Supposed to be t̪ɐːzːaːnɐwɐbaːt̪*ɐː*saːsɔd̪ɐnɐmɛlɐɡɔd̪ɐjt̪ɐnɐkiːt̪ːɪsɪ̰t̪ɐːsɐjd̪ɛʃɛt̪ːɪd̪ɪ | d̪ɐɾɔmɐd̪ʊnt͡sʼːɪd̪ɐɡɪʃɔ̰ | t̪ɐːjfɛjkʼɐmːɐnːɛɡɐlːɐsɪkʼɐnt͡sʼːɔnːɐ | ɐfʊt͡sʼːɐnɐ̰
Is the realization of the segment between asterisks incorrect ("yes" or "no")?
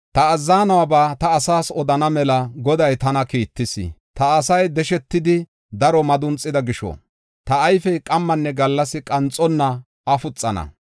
no